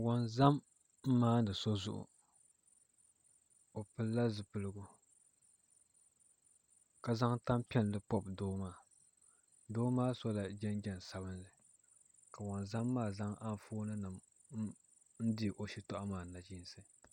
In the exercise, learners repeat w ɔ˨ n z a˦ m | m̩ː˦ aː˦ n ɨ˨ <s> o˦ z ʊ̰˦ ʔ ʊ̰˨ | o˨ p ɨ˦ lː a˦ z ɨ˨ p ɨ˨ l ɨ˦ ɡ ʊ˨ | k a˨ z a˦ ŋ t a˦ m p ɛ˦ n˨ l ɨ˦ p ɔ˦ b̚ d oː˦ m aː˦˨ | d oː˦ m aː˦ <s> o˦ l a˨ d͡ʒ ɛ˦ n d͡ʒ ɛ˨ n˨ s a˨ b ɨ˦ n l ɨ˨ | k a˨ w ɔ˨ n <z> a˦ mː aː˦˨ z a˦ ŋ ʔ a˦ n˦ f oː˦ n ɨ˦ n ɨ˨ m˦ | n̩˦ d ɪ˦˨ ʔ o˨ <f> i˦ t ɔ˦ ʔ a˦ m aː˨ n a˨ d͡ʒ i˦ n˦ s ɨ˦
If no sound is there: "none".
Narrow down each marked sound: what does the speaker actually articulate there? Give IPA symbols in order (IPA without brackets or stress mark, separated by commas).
s, s, z, ʃ